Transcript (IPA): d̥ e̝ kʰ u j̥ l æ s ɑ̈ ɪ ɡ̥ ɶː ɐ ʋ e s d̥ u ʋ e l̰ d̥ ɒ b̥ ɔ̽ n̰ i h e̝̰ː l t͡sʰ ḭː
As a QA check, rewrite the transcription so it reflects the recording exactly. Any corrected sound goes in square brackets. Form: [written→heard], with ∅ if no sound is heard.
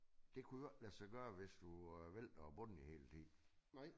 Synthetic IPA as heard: d̥ e̝ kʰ u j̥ l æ s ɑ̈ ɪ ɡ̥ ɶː ɐ ʋ e s d̥ u ʋ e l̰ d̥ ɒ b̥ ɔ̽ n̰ i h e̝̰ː l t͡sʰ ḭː

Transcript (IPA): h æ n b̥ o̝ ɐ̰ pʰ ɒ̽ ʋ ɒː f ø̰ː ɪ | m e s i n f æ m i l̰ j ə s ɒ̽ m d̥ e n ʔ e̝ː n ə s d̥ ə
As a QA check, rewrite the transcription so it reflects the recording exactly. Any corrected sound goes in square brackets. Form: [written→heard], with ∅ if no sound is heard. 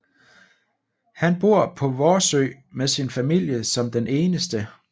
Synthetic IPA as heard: h æ n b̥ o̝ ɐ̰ pʰ ɒ̽ ʋ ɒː [f→s] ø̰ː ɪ | m e s i n f æ m i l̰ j ə s ɒ̽ m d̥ e n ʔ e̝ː n ə s d̥ ə

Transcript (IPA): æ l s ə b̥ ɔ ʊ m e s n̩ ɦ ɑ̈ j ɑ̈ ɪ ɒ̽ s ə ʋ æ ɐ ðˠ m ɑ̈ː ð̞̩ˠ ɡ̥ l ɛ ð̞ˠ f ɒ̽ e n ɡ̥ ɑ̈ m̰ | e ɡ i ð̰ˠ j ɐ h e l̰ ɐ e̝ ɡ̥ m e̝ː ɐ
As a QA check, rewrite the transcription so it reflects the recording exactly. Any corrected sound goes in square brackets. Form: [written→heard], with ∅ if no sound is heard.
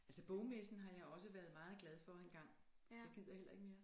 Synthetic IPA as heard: æ l s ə b̥ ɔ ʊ m e s n̩ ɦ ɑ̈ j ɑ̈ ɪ ɒ̽ s ə ʋ æ ɐ ðˠ m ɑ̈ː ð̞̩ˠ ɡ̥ l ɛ ð̞ˠ f ɒ̽ e n ɡ̥ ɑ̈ [m̰→ŋ̰] | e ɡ i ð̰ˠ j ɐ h e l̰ ɐ e̝ ɡ̥ m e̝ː ɐ

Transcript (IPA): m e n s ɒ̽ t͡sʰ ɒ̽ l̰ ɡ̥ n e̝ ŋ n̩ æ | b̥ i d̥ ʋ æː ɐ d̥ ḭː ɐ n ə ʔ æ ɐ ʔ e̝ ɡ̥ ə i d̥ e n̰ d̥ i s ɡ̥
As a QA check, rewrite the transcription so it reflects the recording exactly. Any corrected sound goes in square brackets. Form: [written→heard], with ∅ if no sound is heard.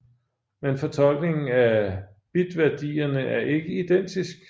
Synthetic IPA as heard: m e n [s→f] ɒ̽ t͡sʰ ɒ̽ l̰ ɡ̥ n e̝ ŋ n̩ æ | b̥ i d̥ ʋ [æː→æ] ɐ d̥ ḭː ɐ n ə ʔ æ ɐ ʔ e̝ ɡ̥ ə i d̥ e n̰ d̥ i s ɡ̥

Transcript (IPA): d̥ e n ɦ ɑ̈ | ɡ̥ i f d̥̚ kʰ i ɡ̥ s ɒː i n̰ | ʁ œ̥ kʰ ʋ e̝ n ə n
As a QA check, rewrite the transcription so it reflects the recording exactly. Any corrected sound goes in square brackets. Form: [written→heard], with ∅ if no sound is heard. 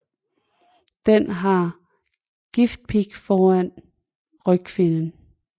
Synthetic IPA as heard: d̥ e n ɦ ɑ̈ | ɡ̥ i f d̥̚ [kʰ→pʰ] i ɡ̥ [s→f] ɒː [i→æ] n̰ | ʁ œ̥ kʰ ʋ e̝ n ə n

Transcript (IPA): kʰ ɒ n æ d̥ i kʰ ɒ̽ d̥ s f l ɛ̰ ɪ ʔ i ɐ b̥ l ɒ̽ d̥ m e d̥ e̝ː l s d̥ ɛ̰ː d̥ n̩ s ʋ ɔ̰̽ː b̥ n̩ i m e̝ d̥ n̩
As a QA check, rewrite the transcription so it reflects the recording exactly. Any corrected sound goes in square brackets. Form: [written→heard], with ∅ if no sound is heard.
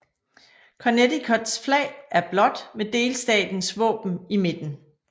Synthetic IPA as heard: kʰ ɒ n [æ→e] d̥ i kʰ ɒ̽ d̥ s f l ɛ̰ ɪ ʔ [i→æ] ɐ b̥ l ɒ̽ d̥ m e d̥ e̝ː l s d̥ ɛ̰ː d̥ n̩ s ʋ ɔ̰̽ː b̥ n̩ i m e̝ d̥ n̩

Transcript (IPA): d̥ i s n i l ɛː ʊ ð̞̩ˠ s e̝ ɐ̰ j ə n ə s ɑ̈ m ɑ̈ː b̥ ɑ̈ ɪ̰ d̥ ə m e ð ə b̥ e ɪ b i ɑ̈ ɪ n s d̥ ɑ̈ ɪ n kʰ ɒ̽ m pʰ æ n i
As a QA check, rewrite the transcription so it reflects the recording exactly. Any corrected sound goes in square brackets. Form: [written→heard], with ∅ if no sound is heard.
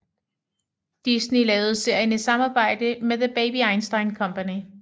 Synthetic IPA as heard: d̥ i s n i l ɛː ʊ ð̞̩ˠ s e̝ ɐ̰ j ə n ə s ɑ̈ m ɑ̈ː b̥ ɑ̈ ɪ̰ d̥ ə m e ð ə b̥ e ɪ b i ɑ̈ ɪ n s d̥ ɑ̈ ɪ n kʰ ɒ̽ m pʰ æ n i

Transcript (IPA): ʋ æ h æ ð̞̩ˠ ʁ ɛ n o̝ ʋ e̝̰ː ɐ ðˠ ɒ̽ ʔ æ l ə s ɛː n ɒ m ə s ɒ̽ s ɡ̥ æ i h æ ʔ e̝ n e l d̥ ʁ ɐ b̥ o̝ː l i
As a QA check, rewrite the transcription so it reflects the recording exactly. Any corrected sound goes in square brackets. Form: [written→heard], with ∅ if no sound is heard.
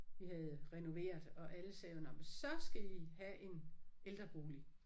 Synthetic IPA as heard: ʋ [æ→i] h æ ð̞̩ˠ ʁ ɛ n o̝ ʋ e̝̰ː ɐ ðˠ ɒ̽ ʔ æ l ə s ɛː n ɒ m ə s ɒ̽ s ɡ̥ æ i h æ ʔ e̝ n e l d̥ ʁ ɐ b̥ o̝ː l i

